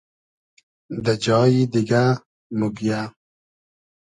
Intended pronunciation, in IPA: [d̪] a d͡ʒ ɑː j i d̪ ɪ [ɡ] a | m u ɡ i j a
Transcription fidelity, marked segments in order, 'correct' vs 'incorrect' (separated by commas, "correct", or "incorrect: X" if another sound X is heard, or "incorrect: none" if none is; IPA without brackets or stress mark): correct, correct